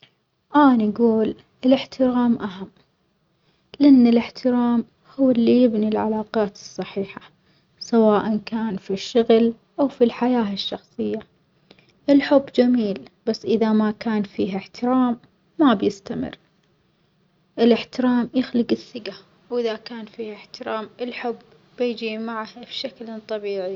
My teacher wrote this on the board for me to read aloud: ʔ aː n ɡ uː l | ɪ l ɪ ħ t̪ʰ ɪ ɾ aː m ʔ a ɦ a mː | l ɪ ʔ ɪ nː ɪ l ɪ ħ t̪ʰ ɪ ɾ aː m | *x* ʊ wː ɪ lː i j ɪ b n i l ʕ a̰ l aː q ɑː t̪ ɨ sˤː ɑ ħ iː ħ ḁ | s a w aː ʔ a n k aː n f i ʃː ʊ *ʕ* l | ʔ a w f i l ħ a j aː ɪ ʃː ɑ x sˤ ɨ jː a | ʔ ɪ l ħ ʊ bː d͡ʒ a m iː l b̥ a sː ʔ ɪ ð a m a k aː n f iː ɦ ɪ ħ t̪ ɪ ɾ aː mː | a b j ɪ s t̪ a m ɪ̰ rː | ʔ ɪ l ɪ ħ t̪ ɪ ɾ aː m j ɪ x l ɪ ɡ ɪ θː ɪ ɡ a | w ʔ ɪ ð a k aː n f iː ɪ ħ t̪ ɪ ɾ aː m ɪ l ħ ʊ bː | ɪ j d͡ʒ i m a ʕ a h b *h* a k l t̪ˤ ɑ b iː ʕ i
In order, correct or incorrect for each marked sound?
incorrect, incorrect, incorrect

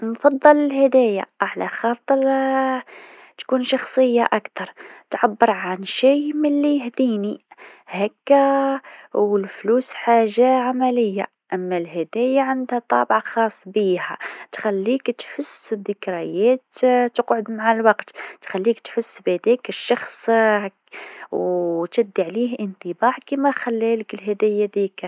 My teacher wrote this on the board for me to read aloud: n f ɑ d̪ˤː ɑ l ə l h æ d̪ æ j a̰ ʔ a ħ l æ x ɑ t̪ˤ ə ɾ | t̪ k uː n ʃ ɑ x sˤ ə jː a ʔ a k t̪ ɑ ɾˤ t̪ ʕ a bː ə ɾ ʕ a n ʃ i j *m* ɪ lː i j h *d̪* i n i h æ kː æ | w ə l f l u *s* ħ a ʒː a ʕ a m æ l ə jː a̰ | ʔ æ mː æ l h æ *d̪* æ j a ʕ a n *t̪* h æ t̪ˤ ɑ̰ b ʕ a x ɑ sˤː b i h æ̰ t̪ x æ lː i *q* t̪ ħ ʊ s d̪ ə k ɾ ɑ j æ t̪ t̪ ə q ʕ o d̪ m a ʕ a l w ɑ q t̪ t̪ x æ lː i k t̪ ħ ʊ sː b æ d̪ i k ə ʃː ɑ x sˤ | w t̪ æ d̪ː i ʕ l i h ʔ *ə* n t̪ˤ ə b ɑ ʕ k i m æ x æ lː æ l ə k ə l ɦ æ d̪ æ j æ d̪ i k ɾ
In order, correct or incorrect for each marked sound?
correct, correct, correct, correct, incorrect, incorrect, correct

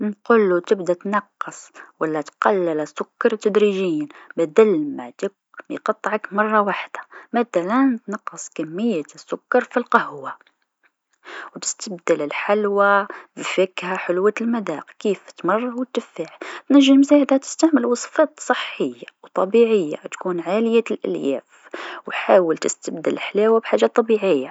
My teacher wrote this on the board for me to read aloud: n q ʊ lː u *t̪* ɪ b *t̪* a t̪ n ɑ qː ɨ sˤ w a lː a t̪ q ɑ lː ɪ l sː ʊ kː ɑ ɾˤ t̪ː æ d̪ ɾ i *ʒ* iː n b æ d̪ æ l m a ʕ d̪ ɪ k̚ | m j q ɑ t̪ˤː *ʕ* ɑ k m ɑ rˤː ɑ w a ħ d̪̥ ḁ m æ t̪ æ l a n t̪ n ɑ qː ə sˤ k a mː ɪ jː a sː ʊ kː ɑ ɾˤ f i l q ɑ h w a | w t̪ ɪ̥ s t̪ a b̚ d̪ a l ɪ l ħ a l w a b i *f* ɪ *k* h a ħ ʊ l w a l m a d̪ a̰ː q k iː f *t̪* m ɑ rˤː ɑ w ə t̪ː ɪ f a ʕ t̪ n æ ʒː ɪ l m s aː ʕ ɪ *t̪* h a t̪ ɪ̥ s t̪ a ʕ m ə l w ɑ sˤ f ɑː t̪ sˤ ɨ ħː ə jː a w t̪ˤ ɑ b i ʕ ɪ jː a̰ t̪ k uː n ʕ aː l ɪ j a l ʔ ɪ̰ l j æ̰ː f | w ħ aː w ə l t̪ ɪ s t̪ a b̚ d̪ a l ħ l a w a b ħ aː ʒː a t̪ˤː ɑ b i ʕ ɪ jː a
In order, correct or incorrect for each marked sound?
correct, incorrect, correct, correct, correct, correct, correct, incorrect

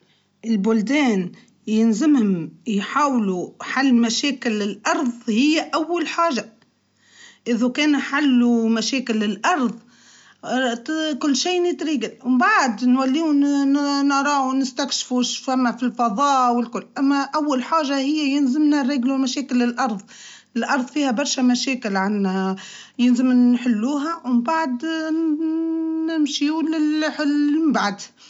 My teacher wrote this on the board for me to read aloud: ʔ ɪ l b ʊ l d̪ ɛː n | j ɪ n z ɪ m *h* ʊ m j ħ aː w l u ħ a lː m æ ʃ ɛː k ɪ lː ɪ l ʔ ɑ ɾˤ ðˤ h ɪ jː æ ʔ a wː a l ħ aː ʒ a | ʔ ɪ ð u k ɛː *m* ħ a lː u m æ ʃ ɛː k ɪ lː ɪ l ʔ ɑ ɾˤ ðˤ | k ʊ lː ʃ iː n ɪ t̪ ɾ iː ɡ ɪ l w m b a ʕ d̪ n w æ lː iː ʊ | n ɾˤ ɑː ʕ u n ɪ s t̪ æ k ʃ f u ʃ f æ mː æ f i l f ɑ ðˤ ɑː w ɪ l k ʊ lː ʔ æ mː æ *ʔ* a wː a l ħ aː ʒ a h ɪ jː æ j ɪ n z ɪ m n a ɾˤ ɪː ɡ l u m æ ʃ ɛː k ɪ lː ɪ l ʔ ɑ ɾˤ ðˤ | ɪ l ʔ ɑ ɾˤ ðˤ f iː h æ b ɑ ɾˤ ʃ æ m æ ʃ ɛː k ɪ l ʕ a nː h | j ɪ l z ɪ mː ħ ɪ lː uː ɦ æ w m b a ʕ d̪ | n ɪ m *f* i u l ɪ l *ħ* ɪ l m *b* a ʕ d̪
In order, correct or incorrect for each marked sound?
correct, incorrect, correct, incorrect, correct, correct

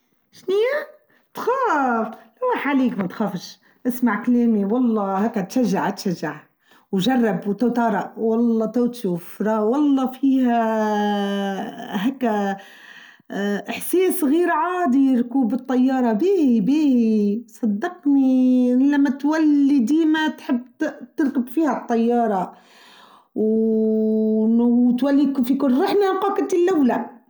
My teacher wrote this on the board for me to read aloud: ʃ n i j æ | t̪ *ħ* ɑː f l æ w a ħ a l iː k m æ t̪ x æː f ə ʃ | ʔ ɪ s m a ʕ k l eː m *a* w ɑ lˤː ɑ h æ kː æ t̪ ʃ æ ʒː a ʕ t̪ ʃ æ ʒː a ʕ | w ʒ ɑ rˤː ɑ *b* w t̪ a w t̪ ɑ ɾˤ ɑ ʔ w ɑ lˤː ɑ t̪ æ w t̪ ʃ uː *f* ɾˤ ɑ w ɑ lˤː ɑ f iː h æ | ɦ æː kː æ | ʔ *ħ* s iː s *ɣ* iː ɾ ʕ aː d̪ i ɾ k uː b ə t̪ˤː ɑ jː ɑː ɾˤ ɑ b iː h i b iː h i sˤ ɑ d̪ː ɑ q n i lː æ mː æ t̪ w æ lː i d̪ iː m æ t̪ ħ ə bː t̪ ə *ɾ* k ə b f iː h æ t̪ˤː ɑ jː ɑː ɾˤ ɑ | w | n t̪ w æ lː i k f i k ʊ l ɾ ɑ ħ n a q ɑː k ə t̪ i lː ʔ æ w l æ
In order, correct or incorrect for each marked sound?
incorrect, incorrect, correct, correct, correct, correct, correct

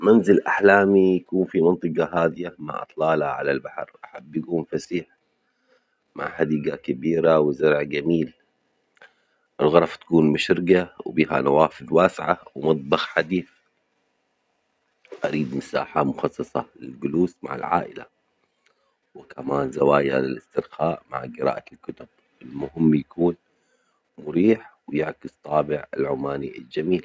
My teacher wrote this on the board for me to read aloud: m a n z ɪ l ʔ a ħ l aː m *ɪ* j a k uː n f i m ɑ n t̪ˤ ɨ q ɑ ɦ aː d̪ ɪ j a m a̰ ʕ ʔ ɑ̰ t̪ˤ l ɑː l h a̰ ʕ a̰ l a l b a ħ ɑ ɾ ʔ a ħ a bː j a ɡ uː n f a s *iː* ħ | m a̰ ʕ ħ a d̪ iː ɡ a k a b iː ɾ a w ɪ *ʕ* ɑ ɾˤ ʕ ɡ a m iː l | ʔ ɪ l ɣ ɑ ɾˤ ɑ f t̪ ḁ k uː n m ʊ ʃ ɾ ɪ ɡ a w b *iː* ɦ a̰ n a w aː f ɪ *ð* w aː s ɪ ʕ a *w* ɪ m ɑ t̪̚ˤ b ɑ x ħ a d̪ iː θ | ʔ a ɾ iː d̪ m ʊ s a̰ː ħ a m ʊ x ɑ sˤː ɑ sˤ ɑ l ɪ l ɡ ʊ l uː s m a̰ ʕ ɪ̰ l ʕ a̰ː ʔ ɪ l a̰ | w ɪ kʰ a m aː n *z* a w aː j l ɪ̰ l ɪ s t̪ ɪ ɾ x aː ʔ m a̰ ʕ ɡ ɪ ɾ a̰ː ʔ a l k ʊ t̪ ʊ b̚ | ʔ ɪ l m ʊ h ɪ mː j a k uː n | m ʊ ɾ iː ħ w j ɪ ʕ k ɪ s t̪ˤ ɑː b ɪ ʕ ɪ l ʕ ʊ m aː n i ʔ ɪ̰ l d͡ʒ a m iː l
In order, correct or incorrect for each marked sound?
incorrect, correct, incorrect, correct, correct, correct, correct

